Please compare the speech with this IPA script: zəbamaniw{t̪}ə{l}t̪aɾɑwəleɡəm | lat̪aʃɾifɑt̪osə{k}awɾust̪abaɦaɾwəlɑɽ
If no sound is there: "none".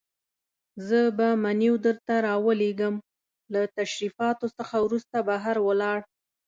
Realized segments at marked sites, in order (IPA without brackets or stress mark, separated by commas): d̪, ɾ, x